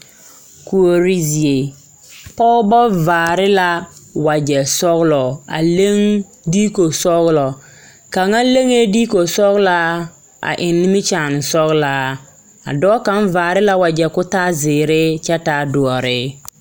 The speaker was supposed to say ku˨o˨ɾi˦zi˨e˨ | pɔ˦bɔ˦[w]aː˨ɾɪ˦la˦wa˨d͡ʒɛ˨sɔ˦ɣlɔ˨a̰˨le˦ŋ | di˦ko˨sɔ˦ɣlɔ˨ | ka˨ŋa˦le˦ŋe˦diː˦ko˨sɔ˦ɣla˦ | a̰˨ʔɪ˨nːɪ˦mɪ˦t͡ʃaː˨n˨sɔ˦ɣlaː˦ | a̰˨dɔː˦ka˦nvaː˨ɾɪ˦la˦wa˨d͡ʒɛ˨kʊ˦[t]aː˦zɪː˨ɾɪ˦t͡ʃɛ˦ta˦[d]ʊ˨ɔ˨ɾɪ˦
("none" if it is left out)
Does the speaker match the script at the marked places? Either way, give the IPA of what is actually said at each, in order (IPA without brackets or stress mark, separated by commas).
v, t, d